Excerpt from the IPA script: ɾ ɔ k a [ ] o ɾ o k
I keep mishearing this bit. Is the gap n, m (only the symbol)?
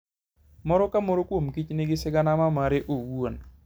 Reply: m